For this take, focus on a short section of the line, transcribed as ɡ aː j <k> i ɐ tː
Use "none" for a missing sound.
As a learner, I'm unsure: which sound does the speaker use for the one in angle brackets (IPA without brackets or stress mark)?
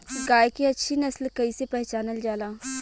k